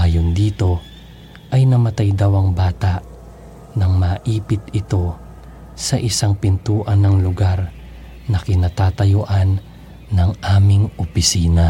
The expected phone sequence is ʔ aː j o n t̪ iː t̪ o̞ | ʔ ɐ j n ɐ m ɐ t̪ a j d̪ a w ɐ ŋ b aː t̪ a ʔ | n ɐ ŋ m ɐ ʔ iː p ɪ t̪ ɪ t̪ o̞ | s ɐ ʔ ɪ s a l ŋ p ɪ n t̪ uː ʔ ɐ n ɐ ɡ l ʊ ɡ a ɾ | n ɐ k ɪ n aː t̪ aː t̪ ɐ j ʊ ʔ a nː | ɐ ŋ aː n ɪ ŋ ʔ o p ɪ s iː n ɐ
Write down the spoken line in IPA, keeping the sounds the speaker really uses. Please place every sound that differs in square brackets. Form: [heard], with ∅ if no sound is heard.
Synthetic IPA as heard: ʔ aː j o n [d̪] iː t̪ o̞ | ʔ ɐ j n ɐ m ɐ t̪ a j d̪ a w ɐ ŋ b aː t̪ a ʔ | n ɐ ŋ m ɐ ʔ iː p ɪ t̪ ɪ t̪ o̞ | s ɐ ʔ ɪ s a [∅] ŋ p ɪ n t̪ uː ʔ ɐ n ɐ [ŋ] l ʊ ɡ a ɾ | n ɐ k ɪ n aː t̪ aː t̪ ɐ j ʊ ʔ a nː | ɐ ŋ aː [m] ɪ ŋ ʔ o p ɪ s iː n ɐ